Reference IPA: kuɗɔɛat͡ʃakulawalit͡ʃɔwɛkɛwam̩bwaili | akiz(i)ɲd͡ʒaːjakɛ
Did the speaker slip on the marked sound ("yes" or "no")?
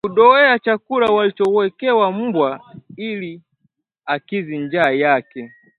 no